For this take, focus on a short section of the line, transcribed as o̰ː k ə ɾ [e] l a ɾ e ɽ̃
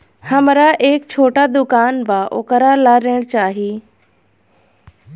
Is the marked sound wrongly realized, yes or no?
yes